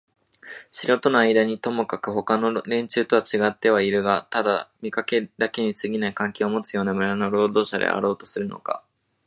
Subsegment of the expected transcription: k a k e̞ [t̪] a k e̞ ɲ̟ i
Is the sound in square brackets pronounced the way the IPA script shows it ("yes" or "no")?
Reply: no